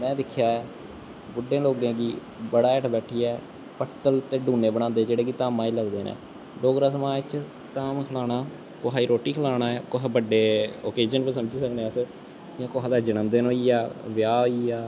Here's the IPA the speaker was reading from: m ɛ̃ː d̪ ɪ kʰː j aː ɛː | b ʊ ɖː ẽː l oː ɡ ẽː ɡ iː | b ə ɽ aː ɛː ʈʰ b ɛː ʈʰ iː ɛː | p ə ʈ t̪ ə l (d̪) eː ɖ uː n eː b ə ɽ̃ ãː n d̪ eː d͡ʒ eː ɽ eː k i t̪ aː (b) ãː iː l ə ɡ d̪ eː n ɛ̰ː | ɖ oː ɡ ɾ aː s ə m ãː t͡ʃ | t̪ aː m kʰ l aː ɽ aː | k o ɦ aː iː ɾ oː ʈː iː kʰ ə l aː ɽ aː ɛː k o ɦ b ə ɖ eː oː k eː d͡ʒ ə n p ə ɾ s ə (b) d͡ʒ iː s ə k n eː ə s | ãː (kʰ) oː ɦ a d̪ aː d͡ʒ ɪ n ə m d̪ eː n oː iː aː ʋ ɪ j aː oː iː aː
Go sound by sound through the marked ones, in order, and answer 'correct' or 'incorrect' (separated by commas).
incorrect, incorrect, incorrect, incorrect